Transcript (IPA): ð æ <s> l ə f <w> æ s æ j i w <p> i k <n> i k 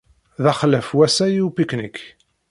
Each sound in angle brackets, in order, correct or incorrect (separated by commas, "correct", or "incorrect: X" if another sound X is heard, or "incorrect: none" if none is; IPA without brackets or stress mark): incorrect: χ, correct, correct, correct